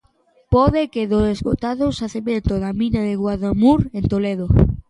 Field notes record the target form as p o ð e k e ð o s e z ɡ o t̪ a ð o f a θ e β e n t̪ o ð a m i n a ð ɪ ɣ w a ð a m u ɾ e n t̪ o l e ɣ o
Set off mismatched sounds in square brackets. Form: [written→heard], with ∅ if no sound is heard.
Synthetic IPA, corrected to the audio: p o ð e k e ð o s e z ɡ o t̪ a ð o [f→s] a θ e β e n t̪ o ð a m i n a ð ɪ ɣ w a ð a m u ɾ e n t̪ o l e [ɣ→ð] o